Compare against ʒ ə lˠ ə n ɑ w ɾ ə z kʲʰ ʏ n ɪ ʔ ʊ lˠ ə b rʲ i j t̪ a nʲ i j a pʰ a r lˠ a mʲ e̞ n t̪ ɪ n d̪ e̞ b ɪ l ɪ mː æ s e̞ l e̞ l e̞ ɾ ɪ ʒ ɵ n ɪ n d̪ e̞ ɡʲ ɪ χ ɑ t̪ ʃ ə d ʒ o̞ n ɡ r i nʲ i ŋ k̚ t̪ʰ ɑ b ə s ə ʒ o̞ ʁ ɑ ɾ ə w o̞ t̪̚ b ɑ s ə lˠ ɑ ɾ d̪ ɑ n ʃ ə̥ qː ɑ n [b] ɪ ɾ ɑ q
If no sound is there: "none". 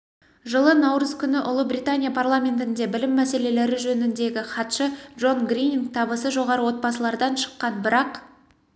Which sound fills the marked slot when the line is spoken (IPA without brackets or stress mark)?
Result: b